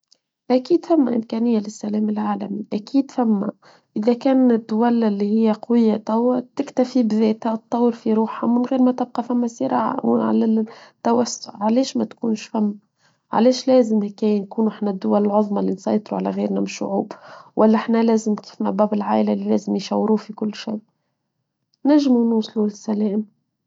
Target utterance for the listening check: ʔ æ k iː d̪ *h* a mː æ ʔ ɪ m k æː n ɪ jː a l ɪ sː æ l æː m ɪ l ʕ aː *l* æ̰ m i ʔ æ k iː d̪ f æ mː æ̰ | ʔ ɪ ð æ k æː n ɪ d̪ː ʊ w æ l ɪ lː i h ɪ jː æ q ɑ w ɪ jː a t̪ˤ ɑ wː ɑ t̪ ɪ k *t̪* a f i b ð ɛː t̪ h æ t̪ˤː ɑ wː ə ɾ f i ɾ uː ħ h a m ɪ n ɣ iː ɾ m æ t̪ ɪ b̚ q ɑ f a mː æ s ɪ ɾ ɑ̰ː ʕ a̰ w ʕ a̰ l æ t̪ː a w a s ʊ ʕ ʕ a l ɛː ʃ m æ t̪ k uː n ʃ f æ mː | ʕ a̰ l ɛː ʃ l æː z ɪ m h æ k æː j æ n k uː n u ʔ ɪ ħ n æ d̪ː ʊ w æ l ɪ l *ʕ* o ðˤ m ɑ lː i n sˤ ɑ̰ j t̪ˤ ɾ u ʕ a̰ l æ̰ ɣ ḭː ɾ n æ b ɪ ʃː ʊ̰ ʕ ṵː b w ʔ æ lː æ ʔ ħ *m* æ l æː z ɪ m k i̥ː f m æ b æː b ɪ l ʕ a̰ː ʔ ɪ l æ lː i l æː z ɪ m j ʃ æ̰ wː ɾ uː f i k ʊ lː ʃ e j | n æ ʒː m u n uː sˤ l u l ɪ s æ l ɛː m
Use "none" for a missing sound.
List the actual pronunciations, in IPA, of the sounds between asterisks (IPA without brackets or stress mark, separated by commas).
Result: f, l, t̪, ʕ, n